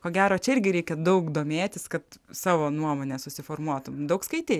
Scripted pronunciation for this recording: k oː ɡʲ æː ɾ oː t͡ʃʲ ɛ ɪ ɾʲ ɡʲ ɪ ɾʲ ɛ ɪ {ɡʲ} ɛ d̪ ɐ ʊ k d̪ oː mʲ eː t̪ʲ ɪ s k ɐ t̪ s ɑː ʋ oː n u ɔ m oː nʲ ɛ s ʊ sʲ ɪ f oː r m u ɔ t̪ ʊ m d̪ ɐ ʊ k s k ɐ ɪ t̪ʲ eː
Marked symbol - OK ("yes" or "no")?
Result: no